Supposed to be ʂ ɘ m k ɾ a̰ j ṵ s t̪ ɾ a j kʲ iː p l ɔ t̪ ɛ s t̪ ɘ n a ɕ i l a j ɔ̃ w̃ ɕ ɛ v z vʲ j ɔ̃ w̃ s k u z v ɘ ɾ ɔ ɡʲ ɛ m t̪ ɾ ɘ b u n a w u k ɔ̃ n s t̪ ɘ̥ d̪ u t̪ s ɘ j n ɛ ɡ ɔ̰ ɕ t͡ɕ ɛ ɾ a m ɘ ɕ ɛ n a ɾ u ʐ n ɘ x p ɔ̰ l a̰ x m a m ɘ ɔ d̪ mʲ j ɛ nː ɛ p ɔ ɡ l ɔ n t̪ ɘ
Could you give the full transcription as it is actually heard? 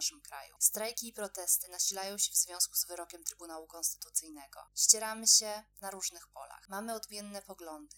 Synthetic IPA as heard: ʂ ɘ m k ɾ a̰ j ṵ s t̪ ɾ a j kʲ iː p ɾ ɔ t̪ ɛ s t̪ ɘ n a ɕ i l a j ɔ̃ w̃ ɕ ɛ v z vʲ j ɔ̃ w̃ s k u z v ɘ ɾ ɔ kʲ ɛ m t̪ ɾ ɘ b u n a w u k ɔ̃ n s t̪ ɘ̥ t̪ u t̪ s ɘ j n ɛ ɡ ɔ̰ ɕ t͡ɕ ɛ ɾ a m ɘ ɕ ɛ n a ɾ u ʐ n ɘ x p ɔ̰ l a̰ x m a m ɘ ɔ d̪ mʲ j ɛ nː ɛ p ɔ ɡ l ɔ n d̪ ɘ